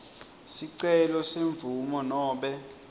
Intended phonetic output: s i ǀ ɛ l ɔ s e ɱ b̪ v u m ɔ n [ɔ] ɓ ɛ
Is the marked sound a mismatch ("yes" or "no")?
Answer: yes